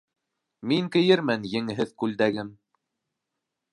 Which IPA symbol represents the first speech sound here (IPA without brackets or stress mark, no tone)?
m